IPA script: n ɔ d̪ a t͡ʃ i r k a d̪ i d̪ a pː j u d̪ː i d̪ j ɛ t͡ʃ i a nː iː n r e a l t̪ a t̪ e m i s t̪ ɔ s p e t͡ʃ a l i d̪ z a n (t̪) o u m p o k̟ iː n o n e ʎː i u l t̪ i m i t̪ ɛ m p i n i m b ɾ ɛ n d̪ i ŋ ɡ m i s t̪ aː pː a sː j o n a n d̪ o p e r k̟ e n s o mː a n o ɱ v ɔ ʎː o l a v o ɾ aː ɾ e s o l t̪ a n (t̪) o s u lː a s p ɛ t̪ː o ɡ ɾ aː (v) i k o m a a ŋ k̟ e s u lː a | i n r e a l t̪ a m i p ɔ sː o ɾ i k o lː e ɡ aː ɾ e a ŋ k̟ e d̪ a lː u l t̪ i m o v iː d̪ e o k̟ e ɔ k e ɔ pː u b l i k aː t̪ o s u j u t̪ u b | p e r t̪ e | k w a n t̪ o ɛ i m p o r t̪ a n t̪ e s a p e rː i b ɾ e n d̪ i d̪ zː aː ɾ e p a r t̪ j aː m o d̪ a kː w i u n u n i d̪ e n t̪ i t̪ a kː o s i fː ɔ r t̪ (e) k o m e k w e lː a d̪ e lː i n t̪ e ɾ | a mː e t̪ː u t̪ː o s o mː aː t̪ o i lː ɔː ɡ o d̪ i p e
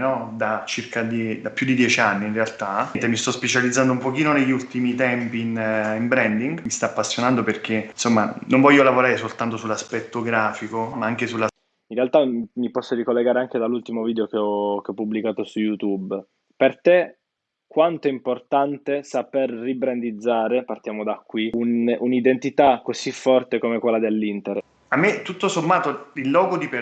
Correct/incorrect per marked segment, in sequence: incorrect: d̪, correct, incorrect: f, correct

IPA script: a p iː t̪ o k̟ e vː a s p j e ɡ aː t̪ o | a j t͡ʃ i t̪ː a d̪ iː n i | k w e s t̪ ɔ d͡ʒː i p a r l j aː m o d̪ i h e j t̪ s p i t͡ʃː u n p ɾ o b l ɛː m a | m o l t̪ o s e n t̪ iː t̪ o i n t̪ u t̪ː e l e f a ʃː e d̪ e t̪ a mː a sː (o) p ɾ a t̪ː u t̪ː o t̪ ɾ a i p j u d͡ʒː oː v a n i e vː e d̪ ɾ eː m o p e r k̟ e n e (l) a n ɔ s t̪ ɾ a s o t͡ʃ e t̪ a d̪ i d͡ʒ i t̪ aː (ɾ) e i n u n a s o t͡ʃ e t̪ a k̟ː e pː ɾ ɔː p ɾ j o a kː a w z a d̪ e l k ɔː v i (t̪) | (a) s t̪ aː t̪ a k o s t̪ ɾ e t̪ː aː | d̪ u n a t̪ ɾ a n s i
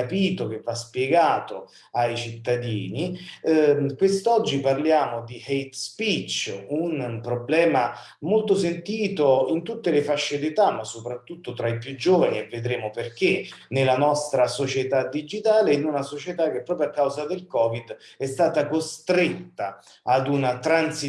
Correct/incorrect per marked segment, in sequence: correct, correct, incorrect: l, incorrect: d̪, incorrect: ɛ

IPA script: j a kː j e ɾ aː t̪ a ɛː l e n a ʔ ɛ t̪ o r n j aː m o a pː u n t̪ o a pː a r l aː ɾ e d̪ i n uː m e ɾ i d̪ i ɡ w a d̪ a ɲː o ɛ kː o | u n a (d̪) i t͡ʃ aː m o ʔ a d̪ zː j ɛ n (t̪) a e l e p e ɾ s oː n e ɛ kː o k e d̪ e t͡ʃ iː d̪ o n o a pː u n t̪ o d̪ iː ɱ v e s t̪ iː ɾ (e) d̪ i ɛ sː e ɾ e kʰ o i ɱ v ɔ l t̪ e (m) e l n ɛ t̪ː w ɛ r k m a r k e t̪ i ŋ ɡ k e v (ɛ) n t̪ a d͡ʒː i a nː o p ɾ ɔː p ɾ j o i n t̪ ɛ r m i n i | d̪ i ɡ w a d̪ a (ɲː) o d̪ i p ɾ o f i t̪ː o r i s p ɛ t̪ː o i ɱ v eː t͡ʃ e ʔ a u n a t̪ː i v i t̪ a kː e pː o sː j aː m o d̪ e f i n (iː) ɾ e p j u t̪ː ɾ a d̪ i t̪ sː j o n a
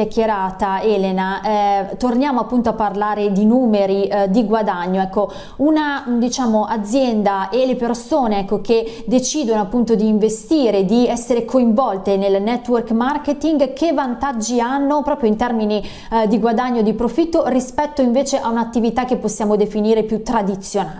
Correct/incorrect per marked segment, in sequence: correct, incorrect: d̪, correct, incorrect: n, incorrect: a, correct, correct

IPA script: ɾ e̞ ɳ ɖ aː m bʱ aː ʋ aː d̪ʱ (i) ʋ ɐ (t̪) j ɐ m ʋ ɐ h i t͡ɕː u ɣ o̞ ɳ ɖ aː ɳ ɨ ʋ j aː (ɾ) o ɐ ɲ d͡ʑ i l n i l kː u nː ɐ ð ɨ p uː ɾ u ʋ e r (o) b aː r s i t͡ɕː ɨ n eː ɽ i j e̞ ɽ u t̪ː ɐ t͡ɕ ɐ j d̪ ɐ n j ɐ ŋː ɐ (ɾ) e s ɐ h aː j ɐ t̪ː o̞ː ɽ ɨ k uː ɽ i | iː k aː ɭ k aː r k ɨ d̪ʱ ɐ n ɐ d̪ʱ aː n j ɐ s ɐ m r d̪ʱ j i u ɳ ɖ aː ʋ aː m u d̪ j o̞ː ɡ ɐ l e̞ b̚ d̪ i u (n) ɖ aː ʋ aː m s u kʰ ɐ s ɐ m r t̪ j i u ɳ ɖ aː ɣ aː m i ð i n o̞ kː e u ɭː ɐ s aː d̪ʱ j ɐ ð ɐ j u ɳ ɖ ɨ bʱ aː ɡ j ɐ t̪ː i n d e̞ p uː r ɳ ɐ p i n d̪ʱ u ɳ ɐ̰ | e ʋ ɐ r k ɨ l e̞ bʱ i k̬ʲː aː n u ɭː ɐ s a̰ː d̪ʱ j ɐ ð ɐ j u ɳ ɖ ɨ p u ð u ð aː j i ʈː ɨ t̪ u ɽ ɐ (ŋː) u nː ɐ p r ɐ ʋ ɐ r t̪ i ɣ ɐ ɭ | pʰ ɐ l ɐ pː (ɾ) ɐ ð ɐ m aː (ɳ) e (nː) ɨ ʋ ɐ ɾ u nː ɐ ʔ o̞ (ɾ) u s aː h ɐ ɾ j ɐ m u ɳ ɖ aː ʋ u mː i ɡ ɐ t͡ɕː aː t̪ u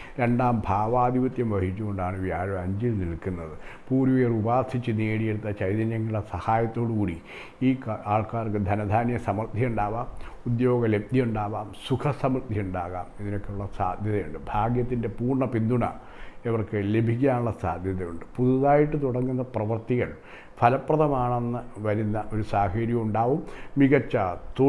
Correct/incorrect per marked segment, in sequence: correct, correct, correct, incorrect: u, incorrect: ɽ, incorrect: ɳ, correct, incorrect: r, correct, correct, correct

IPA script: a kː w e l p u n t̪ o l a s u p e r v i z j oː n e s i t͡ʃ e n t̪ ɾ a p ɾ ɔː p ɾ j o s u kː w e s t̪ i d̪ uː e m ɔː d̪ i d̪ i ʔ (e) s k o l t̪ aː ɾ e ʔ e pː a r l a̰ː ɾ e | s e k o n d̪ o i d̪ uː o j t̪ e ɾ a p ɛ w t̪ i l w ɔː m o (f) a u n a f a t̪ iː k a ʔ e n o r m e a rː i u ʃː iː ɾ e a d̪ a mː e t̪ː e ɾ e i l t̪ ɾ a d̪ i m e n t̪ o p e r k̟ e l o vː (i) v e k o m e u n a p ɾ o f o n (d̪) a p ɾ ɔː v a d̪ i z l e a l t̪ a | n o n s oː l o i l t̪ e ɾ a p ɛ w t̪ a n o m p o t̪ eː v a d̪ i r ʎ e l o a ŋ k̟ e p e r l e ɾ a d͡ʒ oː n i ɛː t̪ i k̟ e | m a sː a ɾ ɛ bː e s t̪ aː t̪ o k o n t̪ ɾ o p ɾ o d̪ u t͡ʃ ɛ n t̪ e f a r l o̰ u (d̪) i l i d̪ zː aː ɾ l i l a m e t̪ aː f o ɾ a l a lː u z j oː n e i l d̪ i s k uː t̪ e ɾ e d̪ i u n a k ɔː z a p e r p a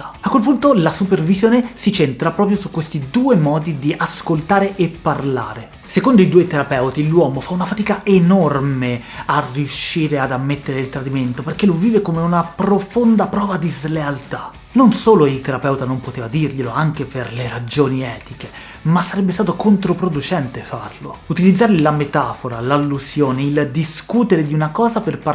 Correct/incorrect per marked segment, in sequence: incorrect: a, correct, incorrect: iː, correct, incorrect: t̪

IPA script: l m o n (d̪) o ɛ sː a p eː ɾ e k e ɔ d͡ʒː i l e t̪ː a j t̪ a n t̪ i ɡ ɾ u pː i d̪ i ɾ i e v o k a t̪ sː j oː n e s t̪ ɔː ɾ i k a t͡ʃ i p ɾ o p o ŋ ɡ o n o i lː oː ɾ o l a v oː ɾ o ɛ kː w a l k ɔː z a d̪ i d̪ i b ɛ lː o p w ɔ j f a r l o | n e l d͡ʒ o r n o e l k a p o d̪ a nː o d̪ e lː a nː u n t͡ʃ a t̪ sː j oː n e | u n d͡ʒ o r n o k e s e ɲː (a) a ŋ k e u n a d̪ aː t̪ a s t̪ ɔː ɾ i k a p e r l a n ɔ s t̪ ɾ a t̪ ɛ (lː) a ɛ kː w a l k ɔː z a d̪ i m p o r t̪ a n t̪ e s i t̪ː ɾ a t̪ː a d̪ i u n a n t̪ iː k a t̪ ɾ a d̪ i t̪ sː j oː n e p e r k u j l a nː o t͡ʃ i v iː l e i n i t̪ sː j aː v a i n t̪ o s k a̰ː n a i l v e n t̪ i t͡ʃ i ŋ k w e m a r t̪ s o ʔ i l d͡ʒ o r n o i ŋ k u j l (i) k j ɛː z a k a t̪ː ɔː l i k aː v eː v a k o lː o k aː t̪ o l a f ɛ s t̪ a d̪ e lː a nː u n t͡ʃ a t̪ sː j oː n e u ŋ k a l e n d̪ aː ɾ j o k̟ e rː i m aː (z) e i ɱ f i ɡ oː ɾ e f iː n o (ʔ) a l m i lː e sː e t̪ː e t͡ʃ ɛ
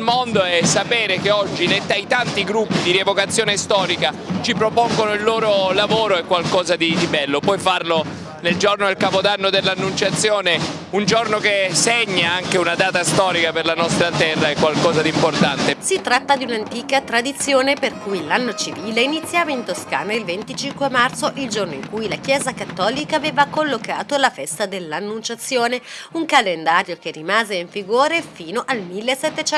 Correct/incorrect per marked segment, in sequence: correct, correct, incorrect: rː, incorrect: a, correct, correct

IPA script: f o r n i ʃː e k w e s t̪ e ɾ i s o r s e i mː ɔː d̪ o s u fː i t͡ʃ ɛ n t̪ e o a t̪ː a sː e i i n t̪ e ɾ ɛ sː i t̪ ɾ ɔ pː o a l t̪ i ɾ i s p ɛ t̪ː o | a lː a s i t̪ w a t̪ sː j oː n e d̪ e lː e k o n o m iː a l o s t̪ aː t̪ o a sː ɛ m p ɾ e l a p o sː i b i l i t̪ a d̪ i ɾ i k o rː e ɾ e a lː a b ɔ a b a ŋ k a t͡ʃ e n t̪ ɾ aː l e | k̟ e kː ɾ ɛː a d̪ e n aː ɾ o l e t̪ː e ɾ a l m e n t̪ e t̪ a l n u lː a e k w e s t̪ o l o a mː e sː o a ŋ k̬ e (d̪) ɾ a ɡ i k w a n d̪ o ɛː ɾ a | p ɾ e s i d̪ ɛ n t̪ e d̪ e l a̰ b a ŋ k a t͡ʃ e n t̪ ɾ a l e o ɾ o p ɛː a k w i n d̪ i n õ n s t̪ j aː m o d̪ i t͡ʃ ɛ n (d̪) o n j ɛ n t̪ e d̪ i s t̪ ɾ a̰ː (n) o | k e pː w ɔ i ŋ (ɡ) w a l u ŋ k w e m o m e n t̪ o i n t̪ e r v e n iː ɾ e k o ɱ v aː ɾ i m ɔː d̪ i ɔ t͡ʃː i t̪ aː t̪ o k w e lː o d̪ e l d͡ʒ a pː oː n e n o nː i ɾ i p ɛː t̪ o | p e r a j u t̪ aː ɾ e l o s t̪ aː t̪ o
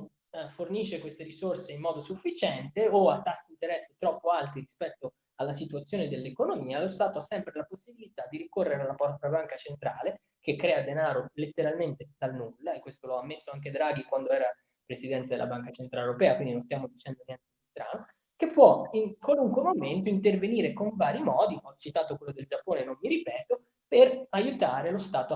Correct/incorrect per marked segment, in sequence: correct, correct, correct, incorrect: k

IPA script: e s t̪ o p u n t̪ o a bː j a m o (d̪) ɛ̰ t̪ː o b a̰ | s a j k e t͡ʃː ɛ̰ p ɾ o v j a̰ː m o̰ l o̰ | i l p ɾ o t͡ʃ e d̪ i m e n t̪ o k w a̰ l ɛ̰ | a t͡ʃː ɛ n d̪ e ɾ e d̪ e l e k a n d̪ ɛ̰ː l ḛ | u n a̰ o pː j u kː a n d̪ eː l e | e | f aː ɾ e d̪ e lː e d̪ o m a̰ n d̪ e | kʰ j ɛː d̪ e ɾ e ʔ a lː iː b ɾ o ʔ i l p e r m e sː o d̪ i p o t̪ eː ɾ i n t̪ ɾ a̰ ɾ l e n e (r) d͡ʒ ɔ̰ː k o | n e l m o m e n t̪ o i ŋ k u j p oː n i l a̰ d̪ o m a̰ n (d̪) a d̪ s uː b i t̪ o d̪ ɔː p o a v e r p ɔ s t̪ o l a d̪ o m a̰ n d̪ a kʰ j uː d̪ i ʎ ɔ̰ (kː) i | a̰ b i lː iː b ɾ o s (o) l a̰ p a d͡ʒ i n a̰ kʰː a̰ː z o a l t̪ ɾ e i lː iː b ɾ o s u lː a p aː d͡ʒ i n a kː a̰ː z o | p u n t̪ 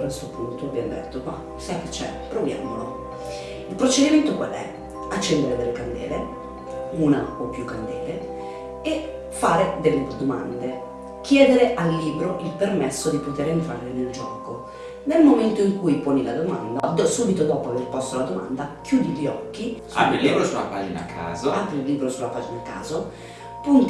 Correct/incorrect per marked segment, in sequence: correct, incorrect: l, correct, correct, incorrect: u

